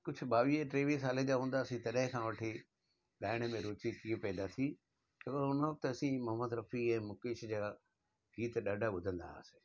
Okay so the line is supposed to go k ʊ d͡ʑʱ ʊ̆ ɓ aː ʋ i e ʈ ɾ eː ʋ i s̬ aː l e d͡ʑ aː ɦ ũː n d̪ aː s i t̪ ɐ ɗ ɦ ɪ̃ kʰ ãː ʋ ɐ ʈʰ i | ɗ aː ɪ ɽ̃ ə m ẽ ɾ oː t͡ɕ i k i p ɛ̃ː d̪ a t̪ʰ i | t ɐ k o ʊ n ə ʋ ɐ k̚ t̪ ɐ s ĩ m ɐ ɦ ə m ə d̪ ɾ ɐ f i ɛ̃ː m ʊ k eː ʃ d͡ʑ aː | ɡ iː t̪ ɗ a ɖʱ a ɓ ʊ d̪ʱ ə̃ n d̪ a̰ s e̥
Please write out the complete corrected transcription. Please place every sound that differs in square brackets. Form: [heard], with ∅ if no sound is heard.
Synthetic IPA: k ʊ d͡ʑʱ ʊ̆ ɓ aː ʋ i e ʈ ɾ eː ʋ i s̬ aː l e d͡ʑ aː ɦ ũː n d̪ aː s [ĩ] t̪ ɐ ɗ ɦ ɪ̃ kʰ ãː ʋ ɐ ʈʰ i | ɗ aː ɪ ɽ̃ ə m ẽ ɾ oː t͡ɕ i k i p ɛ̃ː d̪ a t̪ʰ i | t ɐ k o ʊ n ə ʋ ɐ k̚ t̪ ɐ s ĩ m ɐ ɦ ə m ə d̪ ɾ ɐ f i ɛ̃ː m ʊ k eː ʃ d͡ʑ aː | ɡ iː t̪ ɗ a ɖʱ a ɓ ʊ d̪ʱ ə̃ n d̪ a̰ s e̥

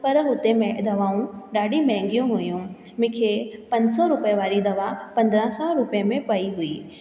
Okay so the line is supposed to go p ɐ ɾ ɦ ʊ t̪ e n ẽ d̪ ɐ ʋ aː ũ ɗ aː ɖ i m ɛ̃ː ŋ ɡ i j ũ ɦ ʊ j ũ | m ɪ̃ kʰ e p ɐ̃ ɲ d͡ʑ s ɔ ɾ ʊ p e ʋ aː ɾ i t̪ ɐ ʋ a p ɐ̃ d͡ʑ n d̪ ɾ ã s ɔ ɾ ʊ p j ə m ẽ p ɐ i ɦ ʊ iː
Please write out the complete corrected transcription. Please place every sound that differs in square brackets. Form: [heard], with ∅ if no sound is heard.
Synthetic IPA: p ɐ ɾ ɦ ʊ t̪ e [m] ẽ d̪ ɐ ʋ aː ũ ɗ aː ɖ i m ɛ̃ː ŋ ɡ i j ũ ɦ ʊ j ũ | m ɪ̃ kʰ e p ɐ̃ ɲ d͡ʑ s ɔ ɾ ʊ p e ʋ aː ɾ i [d̪] ɐ ʋ a p ɐ̃ [∅] n d̪ ɾ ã s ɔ ɾ ʊ p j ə m ẽ p ɐ i ɦ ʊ iː

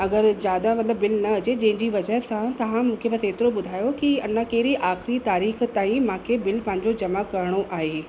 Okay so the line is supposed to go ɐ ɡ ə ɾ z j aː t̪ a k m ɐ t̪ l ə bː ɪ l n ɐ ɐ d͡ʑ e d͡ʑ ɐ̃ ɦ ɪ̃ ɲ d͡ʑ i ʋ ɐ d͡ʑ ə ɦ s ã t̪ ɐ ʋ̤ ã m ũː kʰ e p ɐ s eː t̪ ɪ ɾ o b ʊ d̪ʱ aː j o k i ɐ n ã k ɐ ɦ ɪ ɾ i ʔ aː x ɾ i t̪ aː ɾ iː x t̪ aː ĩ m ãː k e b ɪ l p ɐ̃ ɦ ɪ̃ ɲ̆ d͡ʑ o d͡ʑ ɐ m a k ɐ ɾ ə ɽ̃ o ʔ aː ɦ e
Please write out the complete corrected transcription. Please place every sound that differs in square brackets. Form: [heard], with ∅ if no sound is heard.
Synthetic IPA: ɐ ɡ ə ɾ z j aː [d̪] a [∅] m ɐ t̪ l ə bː ɪ l n ɐ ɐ d͡ʑ e d͡ʑ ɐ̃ ɦ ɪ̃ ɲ d͡ʑ i ʋ ɐ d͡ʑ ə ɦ s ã t̪ ɐ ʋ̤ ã m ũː kʰ e p ɐ s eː t̪ ɪ ɾ o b ʊ d̪ʱ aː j o k i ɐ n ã k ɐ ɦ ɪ ɾ i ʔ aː x ɾ i t̪ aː ɾ iː x t̪ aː ĩ m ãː [kʰ] e b ɪ l p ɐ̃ ɦ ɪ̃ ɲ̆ d͡ʑ o d͡ʑ ɐ m a k ɐ ɾ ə ɽ̃ o ʔ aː ɦ e

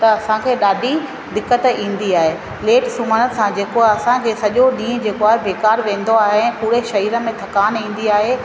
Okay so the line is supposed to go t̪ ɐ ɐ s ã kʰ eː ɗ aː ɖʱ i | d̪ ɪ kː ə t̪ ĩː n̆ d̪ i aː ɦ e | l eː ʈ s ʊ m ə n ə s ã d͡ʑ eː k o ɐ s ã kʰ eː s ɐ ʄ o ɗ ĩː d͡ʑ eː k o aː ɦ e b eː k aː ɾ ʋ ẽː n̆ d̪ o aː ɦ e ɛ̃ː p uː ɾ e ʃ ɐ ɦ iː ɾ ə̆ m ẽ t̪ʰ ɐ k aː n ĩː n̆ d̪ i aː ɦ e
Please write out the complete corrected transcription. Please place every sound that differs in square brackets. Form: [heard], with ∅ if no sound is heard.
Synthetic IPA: t̪ ɐ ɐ s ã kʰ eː ɗ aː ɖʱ i | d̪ ɪ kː ə t̪ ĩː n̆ d̪ i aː ɦ e | l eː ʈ s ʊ m ə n ə s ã d͡ʑ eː k o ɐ s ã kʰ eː s ɐ ʄ o ɗ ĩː d͡ʑ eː k o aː ɦ e b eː k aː ɾ ʋ ẽː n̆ d̪ o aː ɦ e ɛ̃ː p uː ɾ e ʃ ɐ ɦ iː ɾ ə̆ m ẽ t̪ʰ ɐ k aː n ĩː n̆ d̪ i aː ɦ e

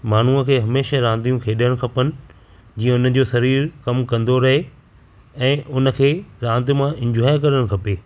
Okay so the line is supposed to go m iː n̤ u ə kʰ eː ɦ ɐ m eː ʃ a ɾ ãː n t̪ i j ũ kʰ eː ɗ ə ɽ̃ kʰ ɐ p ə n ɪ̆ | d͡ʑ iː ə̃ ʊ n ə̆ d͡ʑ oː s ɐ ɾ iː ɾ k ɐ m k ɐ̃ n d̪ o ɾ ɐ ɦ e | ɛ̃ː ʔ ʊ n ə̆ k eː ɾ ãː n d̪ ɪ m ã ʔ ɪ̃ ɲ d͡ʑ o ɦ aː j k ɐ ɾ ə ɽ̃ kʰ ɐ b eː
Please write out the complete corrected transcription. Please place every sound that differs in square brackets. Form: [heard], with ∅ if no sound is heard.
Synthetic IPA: m [aː] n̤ u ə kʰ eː ɦ ɐ m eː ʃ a ɾ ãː n [d̪] i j ũ kʰ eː ɗ ə ɽ̃ kʰ ɐ p ə n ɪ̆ | d͡ʑ iː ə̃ ʊ n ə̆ d͡ʑ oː s ɐ ɾ iː ɾ k ɐ m k ɐ̃ n d̪ o ɾ ɐ ɦ e | ɛ̃ː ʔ ʊ n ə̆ [kʰ] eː ɾ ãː n d̪ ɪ m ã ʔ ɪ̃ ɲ d͡ʑ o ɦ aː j k ɐ ɾ ə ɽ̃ kʰ ɐ [p] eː

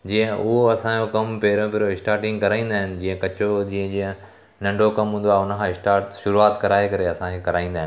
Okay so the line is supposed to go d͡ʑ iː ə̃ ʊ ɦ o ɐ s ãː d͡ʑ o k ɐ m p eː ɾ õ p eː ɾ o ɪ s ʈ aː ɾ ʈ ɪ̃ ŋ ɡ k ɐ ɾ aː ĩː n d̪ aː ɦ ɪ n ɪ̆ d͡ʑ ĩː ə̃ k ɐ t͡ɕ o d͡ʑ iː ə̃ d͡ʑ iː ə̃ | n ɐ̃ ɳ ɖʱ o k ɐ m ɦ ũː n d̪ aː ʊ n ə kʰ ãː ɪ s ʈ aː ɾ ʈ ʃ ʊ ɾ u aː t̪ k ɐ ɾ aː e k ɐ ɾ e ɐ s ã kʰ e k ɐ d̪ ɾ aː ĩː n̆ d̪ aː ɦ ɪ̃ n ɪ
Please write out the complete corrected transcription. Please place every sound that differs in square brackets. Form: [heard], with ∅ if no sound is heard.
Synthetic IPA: d͡ʑ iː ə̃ ʊ ɦ o ɐ s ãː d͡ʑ o k ɐ m p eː ɾ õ p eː ɾ o ɪ s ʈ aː ɾ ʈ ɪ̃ ŋ ɡ k ɐ ɾ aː ĩː n d̪ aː ɦ ɪ n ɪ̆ d͡ʑ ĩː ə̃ k ɐ t͡ɕ o d͡ʑ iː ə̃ d͡ʑ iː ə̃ | n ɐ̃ ɳ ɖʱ o k ɐ m ɦ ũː n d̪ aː ʊ n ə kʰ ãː ɪ s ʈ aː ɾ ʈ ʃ ʊ ɾ u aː t̪ k ɐ ɾ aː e k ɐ ɾ e ɐ s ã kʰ e k ɐ [∅] ɾ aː ĩː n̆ d̪ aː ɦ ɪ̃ n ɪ

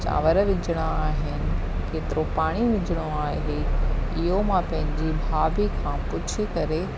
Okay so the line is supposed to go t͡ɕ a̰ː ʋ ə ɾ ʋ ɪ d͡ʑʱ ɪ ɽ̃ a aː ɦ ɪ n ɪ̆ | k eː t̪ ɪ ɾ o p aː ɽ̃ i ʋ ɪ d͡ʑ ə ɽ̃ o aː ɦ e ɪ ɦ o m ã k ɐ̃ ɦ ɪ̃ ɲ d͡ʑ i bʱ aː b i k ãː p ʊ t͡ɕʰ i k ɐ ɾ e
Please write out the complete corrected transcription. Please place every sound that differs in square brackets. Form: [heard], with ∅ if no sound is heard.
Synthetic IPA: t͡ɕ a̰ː ʋ ə ɾ ʋ ɪ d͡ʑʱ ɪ ɽ̃ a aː ɦ ɪ n ɪ̆ | k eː t̪ ɪ ɾ o p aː ɽ̃ i ʋ ɪ d͡ʑ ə ɽ̃ o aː ɦ e ɪ ɦ o m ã [p] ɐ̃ ɦ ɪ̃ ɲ d͡ʑ i bʱ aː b i [kʰ] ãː p ʊ t͡ɕʰ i k ɐ ɾ e

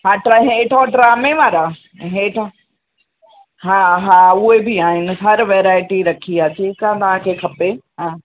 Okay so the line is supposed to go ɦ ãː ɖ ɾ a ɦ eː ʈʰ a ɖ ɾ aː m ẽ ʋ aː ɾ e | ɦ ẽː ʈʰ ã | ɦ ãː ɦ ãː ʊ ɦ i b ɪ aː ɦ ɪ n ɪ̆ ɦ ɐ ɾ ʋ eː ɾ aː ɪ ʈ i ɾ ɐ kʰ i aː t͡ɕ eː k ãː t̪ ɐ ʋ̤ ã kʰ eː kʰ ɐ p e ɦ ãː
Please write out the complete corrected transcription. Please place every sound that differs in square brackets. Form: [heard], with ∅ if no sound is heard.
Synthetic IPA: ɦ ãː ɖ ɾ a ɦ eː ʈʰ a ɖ ɾ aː m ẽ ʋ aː ɾ [a] | ɦ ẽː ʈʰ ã | ɦ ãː ɦ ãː ʊ ɦ [e] b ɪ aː ɦ ɪ n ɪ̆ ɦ ɐ ɾ ʋ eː ɾ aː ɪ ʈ i ɾ ɐ kʰ i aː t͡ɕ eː k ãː t̪ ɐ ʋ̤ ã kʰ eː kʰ ɐ p e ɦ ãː

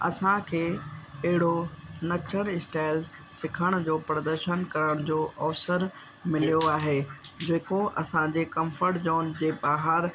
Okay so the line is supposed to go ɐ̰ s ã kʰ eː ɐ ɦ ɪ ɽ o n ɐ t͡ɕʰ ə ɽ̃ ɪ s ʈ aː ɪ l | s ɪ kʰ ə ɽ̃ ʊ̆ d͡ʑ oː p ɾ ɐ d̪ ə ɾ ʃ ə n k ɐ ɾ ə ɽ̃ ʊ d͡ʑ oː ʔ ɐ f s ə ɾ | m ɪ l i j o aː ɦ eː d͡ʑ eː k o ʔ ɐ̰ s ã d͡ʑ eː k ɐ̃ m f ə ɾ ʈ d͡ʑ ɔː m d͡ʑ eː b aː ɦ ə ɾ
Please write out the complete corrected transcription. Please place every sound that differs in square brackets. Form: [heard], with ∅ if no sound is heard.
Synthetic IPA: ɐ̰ s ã kʰ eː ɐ ɦ ɪ ɽ o n ɐ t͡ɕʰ ə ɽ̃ ɪ s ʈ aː ɪ l | s ɪ kʰ ə ɽ̃ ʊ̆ d͡ʑ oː p ɾ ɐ d̪ ə ɾ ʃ ə n k ɐ ɾ ə ɽ̃ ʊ d͡ʑ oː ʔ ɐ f s ə ɾ | m ɪ l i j o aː ɦ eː d͡ʑ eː k o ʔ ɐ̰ s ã d͡ʑ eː k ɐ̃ m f ə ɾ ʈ d͡ʑ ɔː [n] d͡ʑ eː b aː ɦ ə ɾ

